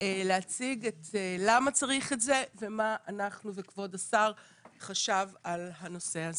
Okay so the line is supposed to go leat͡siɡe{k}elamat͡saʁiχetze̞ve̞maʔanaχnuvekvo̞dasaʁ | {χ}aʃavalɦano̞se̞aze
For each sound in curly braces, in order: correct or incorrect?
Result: incorrect: t, correct

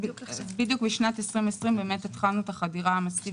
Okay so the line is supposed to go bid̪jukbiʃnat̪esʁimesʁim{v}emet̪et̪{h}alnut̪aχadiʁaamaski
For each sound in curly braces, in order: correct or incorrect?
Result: incorrect: b, incorrect: χ

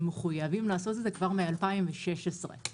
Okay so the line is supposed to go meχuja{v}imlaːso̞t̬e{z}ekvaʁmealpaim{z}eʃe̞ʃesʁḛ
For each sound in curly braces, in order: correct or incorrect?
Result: correct, correct, incorrect: v

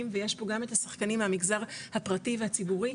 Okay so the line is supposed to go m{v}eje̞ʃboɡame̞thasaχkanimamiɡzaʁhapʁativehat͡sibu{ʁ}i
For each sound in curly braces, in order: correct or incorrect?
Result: correct, correct

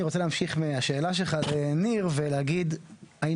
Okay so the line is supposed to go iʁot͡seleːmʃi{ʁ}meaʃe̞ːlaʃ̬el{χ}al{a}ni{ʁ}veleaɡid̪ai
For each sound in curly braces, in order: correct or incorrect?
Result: incorrect: χ, correct, incorrect: e, correct

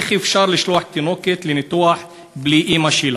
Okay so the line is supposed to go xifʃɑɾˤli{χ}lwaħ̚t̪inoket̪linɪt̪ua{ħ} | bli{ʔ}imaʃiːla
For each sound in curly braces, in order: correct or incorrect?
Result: incorrect: ʃ, correct, correct

